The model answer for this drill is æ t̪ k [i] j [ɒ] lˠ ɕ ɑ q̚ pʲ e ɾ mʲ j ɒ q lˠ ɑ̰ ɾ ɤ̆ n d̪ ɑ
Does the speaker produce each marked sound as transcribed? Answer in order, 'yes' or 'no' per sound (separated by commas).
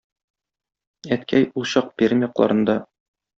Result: no, no